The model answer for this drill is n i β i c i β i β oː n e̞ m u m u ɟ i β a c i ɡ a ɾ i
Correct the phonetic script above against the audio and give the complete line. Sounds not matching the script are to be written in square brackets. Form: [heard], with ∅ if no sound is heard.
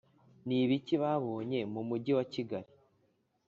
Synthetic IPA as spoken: n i β i c i β [a] β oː [ɲ] e̞ m u m u ɟ i [w] a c i ɡ a ɾ i